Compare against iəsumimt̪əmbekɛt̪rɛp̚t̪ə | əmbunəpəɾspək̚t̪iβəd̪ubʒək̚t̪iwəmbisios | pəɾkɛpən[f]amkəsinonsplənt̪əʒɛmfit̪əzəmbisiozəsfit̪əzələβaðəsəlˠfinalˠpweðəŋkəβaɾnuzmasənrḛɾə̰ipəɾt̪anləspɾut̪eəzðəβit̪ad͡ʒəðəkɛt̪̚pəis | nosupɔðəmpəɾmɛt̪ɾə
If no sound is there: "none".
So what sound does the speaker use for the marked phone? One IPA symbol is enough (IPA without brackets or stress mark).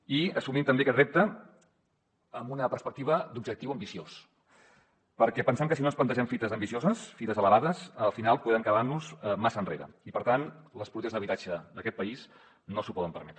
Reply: s